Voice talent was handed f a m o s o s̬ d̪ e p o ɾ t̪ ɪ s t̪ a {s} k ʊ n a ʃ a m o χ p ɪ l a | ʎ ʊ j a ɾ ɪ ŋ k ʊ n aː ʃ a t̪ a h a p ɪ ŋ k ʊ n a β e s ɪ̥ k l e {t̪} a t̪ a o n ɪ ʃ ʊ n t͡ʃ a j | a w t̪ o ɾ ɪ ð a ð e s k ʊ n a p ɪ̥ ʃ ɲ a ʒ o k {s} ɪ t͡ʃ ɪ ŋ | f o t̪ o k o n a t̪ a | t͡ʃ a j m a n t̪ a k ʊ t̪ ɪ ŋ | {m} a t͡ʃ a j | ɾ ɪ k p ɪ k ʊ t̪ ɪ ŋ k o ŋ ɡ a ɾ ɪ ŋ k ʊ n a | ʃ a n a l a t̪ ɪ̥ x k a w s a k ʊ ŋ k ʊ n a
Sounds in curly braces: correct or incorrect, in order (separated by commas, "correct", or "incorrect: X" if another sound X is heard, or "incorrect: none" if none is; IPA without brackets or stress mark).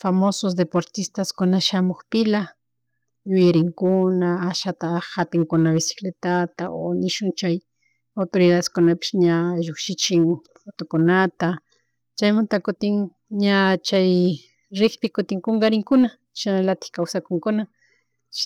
correct, correct, incorrect: ʃ, incorrect: ɲ